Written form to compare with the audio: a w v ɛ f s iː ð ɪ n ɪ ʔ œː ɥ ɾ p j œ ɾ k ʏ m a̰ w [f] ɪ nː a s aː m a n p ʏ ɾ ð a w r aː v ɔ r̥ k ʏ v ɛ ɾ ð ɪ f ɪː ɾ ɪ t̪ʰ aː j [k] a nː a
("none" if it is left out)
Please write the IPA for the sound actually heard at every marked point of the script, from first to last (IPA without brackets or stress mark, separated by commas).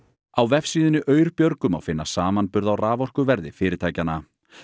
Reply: f, c